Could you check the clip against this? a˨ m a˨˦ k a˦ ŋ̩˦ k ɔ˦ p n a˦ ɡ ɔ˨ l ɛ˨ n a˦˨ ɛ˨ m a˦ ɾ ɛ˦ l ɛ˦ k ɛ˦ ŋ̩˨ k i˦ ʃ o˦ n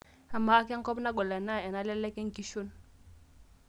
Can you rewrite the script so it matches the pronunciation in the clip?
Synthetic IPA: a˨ m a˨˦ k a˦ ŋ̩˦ k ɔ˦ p n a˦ ɡ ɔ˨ l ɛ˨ n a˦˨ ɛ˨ n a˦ l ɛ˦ l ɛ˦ k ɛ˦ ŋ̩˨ k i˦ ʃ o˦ n

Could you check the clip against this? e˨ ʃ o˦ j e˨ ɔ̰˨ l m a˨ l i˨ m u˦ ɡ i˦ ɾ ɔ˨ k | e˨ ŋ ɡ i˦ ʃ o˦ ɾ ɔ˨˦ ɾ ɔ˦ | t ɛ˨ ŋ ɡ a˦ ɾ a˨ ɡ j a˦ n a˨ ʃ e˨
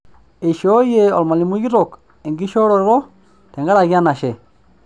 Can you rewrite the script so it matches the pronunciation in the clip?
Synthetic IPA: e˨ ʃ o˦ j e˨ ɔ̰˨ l m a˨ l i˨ m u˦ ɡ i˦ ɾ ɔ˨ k | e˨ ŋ ɡ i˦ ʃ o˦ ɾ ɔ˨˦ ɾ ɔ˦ | t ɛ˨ ŋ ɡ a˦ ɾ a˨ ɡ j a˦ n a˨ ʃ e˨

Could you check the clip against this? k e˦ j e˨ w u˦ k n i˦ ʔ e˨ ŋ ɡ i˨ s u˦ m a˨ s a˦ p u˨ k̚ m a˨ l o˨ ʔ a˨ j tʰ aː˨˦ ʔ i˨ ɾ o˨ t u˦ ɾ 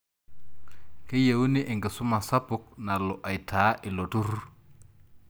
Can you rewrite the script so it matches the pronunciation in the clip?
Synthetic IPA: k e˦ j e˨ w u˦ n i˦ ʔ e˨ ŋ ɡ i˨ s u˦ m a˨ s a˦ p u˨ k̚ n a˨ l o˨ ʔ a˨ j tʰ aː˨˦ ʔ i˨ l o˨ t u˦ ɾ

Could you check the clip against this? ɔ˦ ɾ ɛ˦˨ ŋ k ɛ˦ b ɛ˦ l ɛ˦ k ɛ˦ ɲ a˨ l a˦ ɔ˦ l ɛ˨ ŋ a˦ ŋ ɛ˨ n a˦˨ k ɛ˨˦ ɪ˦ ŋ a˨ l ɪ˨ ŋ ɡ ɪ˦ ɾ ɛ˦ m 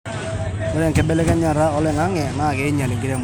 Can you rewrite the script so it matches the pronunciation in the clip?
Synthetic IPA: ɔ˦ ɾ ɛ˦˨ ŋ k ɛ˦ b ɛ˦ l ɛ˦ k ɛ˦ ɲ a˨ ɾ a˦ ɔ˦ l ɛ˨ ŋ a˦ ŋ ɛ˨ n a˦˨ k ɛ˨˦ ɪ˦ ɲ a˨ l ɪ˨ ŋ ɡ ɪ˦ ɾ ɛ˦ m

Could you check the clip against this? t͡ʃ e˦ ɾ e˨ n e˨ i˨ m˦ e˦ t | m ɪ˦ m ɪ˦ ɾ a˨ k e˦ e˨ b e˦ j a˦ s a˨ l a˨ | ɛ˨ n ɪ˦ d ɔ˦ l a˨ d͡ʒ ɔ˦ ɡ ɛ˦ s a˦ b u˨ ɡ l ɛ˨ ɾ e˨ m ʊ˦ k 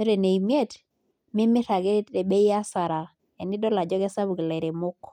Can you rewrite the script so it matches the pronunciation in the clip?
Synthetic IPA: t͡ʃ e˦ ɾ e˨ n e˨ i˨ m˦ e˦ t | m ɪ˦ m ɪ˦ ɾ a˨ ɡ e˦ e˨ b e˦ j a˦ s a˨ ɾ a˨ | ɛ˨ n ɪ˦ d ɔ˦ l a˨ d͡ʒ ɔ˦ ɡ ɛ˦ s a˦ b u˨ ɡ l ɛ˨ ɾ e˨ m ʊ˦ k

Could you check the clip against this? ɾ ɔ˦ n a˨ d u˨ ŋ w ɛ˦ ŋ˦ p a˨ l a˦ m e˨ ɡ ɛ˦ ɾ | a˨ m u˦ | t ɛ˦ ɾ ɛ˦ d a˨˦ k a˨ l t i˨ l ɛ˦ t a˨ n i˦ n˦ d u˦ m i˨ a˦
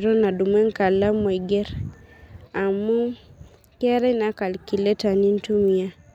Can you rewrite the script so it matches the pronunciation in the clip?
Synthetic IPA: ɾ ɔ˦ n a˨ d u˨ m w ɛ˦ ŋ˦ k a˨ l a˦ m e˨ ɡ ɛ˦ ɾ | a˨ m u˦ | k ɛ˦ ɾ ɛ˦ n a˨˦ k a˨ l k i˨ l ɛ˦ t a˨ n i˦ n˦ t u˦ m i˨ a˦

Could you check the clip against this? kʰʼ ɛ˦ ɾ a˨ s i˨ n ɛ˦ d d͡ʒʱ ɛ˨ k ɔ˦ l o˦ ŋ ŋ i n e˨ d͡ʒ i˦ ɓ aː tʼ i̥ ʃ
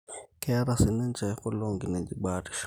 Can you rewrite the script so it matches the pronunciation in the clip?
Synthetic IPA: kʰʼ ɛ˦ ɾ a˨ s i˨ n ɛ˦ n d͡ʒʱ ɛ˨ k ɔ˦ l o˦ ŋ ɡ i n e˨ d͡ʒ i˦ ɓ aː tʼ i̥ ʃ

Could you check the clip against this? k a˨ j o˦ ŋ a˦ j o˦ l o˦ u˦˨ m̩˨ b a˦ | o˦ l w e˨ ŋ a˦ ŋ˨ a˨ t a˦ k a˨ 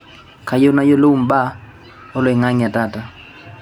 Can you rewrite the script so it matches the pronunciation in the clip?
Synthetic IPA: k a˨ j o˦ n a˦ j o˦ l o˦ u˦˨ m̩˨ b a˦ | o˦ l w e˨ ŋ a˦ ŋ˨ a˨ t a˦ t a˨

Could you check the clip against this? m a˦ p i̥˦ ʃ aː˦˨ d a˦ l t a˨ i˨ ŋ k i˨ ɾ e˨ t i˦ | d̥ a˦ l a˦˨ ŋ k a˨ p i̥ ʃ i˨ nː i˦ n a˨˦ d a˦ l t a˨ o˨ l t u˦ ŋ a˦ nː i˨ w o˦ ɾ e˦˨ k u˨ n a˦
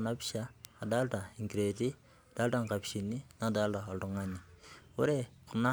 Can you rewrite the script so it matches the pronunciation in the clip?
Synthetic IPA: n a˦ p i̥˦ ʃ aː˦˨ d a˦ l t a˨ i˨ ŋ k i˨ ɾ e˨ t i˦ | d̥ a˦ l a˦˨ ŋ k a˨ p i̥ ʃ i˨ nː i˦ n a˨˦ d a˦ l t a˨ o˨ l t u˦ ŋ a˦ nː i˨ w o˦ ɾ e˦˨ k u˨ n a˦

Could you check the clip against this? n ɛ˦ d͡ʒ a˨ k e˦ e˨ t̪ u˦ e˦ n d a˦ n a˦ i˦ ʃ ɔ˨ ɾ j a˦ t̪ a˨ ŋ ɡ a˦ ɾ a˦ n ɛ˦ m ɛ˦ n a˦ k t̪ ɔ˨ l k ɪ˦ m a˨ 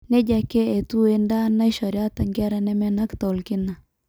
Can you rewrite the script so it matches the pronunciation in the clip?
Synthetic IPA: n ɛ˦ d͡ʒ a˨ k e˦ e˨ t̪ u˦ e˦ n d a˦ n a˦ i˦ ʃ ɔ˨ ɾ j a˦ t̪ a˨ ŋ ɡ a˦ ɾ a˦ n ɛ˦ m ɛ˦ n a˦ k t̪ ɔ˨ l k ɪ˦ n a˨

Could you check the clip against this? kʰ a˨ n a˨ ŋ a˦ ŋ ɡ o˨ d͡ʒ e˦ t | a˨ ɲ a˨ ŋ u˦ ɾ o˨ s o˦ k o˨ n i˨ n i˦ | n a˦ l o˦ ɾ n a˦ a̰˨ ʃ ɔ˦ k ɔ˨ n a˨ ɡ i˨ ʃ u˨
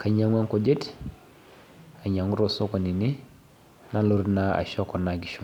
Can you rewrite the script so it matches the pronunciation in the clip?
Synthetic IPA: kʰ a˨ ɲ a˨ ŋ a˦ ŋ k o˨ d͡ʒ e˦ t | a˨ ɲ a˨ ŋ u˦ ɾ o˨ s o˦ k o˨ n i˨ n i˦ | n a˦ l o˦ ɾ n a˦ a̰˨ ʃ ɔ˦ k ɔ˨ n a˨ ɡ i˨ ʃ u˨

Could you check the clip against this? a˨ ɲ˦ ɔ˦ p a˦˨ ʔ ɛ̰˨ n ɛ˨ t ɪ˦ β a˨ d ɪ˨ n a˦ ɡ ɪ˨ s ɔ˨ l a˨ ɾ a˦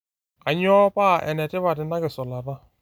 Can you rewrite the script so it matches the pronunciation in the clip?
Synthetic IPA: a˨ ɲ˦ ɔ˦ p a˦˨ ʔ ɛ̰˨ n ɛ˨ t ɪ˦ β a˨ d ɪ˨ n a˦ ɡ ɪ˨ s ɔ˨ l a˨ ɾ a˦

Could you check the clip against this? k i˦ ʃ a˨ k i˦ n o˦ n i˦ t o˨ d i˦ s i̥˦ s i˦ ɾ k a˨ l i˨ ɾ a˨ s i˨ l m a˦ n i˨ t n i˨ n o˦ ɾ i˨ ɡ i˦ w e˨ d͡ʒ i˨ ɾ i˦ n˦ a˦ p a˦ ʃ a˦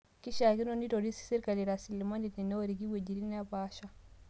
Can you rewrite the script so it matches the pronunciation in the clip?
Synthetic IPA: k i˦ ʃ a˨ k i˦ n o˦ n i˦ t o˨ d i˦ s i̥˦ s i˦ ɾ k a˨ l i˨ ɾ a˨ s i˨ l m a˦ n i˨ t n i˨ n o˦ ɾ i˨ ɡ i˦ w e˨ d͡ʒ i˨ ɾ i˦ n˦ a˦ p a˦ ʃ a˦

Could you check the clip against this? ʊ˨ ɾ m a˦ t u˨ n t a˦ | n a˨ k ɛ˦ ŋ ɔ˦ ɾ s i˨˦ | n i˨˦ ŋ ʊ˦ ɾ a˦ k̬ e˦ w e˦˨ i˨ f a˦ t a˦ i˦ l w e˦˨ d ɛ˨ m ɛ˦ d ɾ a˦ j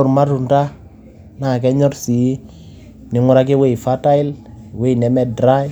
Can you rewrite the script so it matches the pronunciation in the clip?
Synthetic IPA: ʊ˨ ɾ m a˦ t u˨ n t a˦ | n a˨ k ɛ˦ ɲ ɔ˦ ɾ s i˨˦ | n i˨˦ ŋ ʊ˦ ɾ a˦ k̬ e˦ w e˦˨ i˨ f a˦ t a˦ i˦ l w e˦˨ n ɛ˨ m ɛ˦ d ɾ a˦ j

